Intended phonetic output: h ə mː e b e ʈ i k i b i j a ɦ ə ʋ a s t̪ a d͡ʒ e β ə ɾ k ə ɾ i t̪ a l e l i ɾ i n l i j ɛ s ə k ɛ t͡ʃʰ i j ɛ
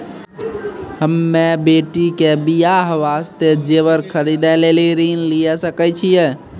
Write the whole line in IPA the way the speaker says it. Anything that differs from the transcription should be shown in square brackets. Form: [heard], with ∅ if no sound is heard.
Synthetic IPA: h ə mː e b e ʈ i k [e] b i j a ɦ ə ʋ a s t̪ [e] d͡ʒ e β ə ɾ [kʰ] ə ɾ i [d̪] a l e l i ɾ i n l i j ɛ s ə k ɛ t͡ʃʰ i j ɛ